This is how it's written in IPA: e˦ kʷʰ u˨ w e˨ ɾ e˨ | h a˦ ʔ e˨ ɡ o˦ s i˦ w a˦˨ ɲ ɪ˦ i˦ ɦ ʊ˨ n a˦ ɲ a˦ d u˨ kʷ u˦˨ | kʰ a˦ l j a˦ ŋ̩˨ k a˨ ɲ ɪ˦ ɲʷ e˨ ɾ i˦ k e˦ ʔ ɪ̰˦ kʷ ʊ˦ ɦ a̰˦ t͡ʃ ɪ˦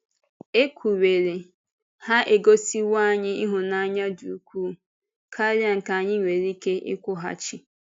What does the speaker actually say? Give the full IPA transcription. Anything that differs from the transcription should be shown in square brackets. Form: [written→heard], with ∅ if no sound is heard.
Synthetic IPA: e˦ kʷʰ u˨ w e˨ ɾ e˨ | h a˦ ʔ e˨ ɡ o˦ s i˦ w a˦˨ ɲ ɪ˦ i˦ ɦ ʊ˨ n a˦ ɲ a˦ d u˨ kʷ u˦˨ | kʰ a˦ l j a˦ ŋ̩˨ k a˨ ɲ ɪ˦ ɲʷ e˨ ɾ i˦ k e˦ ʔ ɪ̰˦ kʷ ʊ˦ ɦ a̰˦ t͡ʃ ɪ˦